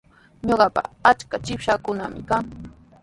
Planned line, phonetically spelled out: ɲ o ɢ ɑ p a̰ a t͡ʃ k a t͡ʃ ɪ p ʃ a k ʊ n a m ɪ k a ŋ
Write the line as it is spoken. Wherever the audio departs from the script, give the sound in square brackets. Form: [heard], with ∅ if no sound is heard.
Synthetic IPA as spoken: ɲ o ɢ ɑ p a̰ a t͡ʃ k a t͡ʃ ɪ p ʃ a k ʊ n a m ɪ k a ŋ